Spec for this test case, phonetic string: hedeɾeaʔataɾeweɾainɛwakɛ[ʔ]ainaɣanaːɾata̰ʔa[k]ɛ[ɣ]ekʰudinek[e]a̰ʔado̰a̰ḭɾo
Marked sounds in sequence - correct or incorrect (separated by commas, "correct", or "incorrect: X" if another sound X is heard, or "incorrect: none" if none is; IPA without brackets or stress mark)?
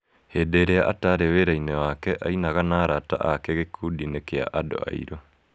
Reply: correct, correct, correct, correct